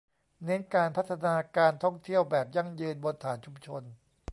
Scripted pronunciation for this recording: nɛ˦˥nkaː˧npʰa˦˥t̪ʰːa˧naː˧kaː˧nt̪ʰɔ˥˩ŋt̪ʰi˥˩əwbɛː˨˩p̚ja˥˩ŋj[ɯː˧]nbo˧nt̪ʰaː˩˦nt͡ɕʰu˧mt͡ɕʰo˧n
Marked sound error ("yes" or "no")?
no